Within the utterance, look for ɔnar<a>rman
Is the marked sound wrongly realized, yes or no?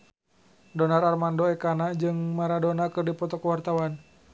no